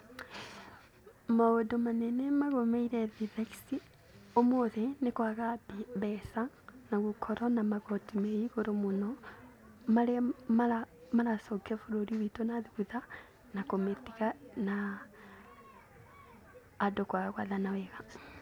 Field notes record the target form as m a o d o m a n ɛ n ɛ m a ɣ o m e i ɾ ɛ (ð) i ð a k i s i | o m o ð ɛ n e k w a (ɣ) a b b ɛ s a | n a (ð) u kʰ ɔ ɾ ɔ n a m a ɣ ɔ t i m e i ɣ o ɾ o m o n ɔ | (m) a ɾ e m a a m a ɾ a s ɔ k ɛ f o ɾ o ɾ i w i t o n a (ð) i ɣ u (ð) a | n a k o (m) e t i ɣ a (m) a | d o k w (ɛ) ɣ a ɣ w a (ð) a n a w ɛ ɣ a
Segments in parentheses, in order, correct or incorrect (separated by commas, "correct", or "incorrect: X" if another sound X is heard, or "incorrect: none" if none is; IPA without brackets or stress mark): correct, correct, incorrect: ɣ, correct, correct, correct, correct, incorrect: n, incorrect: a, correct